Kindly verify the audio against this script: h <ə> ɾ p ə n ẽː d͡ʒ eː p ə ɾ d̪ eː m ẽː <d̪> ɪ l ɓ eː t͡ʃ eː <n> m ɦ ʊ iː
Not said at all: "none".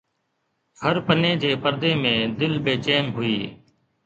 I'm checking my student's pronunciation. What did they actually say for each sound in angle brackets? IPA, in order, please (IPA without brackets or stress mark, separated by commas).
ə, d̪, none